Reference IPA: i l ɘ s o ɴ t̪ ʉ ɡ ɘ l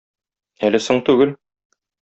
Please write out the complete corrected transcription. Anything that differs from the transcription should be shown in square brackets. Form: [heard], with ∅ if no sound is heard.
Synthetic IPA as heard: [æ] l ɘ s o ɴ t̪ ʉ ɡ ɘ l